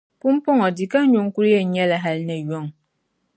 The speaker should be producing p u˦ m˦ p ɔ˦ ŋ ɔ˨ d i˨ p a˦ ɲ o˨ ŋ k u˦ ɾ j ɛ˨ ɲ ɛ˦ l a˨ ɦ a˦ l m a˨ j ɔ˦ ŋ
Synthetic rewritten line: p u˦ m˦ p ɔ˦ ŋ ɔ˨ d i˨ k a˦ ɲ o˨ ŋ k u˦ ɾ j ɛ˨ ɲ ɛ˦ l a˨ ɦ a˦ l n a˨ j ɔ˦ ŋ